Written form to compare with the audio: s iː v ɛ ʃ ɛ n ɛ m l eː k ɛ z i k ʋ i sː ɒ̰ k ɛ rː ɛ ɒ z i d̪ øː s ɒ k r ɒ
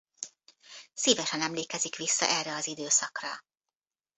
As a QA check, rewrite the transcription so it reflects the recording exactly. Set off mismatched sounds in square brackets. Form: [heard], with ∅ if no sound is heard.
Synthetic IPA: s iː v ɛ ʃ ɛ n ɛ m l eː k ɛ z i k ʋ i sː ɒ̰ [ʔ] ɛ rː ɛ ɒ z i d̪ øː s ɒ k r ɒ

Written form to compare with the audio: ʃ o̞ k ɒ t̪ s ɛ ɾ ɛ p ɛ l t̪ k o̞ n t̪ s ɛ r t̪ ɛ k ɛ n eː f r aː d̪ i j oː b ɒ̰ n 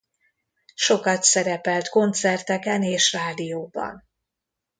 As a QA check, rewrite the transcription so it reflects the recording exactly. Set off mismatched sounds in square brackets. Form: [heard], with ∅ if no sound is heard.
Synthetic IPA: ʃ o̞ k ɒ t̪ s ɛ ɾ ɛ p ɛ l t̪ k o̞ n t̪ s ɛ r t̪ ɛ k ɛ n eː [ʃ] r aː d̪ i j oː b ɒ̰ n

